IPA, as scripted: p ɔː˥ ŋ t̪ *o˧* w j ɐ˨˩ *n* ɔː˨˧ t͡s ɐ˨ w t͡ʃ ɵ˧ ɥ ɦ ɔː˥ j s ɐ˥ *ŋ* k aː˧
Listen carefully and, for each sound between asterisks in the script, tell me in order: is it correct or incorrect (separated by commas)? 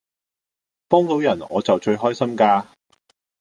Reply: incorrect, correct, incorrect